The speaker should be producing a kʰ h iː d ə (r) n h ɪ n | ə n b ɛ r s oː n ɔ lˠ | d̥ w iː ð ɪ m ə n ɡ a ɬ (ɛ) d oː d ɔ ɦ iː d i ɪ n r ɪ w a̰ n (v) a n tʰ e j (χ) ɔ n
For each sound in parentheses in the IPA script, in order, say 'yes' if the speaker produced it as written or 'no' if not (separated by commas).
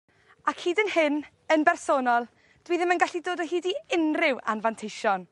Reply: no, no, yes, no